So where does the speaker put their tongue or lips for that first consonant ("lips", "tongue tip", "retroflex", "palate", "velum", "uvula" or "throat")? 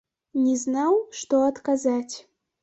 tongue tip